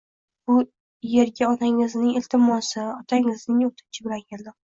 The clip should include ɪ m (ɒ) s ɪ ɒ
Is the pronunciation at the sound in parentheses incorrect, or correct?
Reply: correct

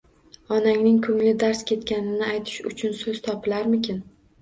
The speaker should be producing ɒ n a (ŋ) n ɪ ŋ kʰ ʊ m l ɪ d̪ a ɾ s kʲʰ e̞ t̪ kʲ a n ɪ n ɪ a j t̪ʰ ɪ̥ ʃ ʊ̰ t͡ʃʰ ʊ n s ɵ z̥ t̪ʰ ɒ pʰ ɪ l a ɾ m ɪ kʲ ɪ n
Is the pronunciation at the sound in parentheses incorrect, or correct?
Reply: correct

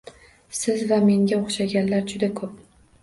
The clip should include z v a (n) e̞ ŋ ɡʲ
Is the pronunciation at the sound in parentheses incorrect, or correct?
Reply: incorrect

